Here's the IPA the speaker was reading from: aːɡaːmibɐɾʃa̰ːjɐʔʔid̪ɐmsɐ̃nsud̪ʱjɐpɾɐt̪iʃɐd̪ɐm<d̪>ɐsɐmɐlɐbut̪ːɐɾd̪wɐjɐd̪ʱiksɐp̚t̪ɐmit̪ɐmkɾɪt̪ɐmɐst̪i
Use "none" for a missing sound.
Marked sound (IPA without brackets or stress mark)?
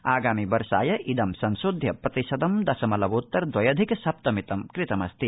d̪